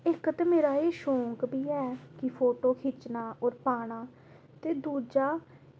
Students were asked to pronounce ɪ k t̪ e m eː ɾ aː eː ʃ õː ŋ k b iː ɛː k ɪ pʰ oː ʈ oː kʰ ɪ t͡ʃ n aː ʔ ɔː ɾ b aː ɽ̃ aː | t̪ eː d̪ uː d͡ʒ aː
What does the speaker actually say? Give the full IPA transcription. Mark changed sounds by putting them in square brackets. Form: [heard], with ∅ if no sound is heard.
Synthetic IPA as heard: ɪ k t̪ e m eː ɾ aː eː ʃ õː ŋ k b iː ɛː k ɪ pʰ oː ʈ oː kʰ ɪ t͡ʃ n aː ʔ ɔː ɾ [p] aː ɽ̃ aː | t̪ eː d̪ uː d͡ʒ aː